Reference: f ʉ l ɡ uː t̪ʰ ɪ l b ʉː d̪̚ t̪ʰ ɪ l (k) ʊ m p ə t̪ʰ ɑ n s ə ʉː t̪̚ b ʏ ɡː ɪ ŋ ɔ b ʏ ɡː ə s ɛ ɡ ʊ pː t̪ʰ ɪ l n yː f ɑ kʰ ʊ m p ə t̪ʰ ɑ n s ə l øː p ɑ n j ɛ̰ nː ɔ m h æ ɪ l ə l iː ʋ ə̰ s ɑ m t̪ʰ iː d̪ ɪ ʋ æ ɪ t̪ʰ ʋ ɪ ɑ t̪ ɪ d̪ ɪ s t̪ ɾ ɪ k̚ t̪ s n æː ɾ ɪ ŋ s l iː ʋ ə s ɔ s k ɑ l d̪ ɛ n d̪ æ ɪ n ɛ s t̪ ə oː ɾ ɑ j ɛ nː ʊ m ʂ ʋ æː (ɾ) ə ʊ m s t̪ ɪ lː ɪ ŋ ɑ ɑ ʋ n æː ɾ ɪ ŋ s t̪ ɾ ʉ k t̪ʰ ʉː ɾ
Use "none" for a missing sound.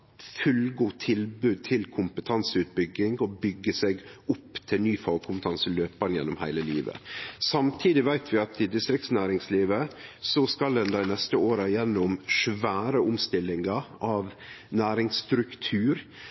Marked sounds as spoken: kʰ, ɾ

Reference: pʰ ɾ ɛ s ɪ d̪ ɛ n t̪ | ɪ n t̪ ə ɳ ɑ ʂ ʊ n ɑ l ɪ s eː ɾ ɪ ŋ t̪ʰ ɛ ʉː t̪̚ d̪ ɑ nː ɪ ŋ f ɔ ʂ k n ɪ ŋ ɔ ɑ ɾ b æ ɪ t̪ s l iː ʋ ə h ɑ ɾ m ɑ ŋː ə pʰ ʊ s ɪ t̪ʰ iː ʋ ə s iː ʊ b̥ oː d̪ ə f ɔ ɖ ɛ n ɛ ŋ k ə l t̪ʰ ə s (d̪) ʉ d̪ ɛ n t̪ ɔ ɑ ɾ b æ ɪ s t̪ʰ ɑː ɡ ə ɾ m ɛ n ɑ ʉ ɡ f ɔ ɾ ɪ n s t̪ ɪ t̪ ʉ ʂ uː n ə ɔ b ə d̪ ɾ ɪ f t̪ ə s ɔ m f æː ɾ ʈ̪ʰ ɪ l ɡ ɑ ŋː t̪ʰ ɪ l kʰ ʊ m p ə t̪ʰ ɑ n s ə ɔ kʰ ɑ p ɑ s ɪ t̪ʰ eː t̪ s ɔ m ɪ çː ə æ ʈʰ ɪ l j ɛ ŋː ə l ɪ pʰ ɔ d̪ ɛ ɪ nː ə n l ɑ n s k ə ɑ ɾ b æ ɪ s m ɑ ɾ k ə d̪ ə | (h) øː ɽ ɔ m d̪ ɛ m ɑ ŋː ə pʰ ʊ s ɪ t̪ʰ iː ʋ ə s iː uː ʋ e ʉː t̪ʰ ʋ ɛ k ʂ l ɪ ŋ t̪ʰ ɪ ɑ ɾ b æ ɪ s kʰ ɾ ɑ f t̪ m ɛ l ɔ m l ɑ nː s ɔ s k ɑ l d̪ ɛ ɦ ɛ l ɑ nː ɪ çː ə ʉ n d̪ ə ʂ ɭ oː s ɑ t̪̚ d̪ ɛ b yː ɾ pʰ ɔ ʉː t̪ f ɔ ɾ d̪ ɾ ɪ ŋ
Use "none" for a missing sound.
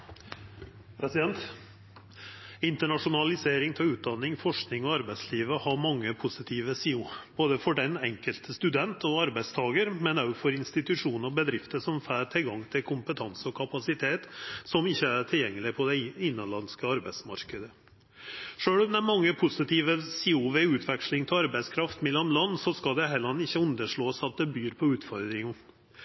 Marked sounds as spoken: t̪, ʂ

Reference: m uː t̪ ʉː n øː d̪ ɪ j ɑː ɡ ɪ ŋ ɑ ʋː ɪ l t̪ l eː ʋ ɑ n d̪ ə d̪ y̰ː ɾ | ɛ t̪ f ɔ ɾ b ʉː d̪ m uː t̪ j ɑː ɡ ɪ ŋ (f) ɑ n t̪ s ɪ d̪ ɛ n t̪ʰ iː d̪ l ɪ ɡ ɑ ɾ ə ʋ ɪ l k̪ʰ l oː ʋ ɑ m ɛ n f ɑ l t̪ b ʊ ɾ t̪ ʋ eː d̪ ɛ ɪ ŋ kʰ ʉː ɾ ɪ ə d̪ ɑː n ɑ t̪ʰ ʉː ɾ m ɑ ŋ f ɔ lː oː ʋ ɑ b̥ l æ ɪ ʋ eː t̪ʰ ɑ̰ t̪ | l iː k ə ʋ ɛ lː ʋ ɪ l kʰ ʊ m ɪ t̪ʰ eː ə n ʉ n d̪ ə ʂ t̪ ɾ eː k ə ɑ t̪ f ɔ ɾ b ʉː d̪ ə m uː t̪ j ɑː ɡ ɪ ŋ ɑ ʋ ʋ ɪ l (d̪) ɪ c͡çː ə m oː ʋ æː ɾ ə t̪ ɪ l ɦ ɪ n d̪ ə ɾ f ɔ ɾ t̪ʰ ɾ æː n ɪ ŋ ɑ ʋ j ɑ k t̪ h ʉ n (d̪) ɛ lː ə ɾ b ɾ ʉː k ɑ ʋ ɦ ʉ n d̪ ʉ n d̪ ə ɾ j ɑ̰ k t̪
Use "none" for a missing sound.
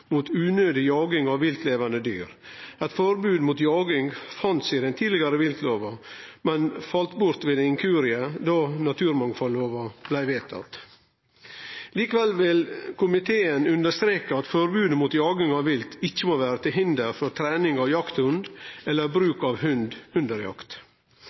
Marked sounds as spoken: f, t̪, d̪

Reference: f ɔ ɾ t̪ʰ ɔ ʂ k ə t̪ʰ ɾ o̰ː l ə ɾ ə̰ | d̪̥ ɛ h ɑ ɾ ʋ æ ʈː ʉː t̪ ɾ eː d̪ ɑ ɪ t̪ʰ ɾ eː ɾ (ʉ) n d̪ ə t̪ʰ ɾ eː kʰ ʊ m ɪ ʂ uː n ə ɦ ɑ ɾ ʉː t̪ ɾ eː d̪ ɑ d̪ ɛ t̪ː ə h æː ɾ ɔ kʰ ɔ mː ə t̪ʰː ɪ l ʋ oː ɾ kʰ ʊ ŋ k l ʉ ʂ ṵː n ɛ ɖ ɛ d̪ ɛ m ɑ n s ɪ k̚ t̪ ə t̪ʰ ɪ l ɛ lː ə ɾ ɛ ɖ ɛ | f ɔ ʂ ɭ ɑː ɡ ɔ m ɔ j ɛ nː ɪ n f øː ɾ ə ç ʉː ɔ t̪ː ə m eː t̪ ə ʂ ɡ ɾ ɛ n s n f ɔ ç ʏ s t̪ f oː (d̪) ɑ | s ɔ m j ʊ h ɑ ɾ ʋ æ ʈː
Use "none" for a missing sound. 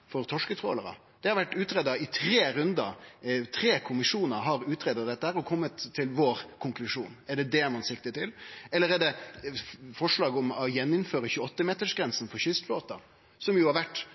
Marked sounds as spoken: ʉ, t̪

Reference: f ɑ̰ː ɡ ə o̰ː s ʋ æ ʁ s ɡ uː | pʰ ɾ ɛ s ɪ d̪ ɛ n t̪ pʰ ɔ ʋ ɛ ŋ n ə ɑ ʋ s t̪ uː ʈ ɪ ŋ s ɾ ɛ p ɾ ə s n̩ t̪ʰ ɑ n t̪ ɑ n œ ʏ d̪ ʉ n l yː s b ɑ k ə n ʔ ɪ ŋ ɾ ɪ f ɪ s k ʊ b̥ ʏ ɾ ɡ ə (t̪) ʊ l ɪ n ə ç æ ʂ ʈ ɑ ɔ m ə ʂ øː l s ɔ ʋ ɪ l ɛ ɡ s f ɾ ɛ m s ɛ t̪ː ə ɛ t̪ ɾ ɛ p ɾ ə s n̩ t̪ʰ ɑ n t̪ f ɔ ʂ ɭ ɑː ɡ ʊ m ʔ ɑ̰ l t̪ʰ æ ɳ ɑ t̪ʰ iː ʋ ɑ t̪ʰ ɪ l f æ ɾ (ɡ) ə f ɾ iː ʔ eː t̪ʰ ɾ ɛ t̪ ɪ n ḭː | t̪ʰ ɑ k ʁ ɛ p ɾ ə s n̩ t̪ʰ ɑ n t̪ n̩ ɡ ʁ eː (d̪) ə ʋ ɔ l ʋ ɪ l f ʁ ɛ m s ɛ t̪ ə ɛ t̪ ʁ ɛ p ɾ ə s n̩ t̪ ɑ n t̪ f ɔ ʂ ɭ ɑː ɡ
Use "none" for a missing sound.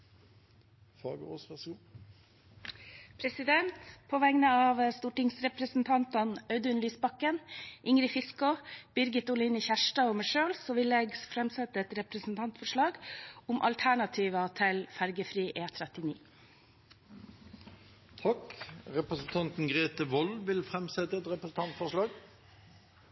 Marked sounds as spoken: t̪, ɡ, t̪

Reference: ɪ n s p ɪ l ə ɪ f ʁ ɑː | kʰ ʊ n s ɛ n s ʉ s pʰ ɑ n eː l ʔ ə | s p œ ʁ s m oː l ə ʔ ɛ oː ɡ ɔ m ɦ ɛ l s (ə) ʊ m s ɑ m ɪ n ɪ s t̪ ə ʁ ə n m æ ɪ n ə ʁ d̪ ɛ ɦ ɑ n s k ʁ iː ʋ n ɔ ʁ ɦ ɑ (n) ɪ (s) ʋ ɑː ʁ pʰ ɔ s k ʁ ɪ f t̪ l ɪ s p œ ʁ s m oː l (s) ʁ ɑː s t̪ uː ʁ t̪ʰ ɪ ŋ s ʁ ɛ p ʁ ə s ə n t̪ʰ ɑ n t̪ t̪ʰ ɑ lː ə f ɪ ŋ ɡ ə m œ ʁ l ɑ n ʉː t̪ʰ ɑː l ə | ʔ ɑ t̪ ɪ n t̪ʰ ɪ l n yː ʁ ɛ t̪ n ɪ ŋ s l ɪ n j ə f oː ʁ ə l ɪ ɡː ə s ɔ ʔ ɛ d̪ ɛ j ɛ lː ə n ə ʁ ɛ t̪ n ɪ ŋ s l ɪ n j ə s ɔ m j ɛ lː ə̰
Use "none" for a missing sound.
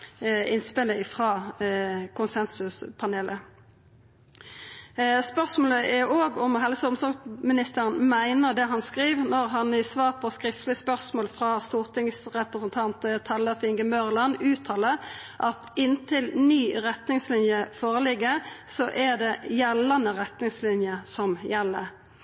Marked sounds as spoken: ə, n, s, f

